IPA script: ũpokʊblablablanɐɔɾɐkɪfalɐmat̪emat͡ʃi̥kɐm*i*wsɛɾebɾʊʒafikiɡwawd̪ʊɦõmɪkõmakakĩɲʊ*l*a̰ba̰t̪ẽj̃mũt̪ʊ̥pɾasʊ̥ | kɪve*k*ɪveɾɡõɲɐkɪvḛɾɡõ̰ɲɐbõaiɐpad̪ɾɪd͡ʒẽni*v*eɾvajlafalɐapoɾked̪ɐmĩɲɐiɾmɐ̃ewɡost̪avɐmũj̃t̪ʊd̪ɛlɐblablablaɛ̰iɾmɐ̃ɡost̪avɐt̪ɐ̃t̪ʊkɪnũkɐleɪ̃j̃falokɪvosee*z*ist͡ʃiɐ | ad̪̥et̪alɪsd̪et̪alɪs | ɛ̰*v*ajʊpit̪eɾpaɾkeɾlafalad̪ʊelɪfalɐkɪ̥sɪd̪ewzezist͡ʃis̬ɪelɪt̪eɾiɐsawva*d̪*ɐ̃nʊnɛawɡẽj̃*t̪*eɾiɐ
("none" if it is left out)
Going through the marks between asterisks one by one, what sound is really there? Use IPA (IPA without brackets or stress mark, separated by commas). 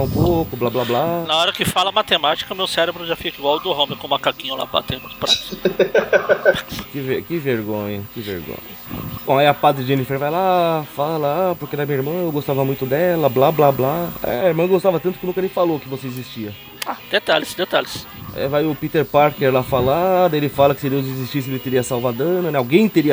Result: e, l, k, f, z, v, d̪, t̪